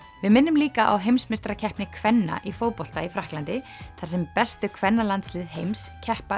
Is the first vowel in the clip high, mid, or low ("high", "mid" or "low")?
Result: high